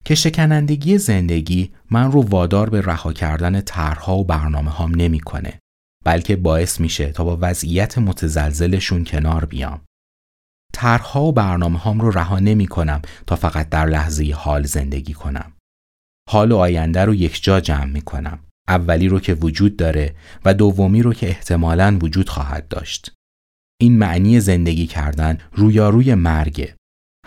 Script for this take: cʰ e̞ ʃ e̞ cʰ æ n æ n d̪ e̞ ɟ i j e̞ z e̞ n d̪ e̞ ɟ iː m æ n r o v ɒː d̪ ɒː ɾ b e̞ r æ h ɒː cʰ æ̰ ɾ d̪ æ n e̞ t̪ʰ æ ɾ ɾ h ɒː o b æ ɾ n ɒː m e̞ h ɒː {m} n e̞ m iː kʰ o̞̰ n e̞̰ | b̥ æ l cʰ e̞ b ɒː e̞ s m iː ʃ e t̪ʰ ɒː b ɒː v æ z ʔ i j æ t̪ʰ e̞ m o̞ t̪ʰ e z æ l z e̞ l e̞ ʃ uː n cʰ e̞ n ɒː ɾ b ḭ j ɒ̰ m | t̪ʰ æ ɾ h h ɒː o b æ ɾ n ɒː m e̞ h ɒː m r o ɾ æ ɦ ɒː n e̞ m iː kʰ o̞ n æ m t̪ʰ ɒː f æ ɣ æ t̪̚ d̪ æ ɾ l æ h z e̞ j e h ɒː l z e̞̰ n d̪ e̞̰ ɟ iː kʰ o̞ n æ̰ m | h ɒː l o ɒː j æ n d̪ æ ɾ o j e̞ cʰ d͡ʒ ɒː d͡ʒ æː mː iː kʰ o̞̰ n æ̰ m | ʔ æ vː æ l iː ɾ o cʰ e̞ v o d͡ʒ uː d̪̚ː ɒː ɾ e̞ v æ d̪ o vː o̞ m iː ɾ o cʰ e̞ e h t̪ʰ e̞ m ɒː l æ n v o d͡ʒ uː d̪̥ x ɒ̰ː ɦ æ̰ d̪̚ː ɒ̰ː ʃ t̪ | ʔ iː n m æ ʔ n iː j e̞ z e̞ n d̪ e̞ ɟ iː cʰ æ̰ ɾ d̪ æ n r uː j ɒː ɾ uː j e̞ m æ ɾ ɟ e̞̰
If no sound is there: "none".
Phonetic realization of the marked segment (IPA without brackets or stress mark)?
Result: m